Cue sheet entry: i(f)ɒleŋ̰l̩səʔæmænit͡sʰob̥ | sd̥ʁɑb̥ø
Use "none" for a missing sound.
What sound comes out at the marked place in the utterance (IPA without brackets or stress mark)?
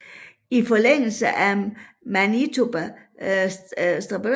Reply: f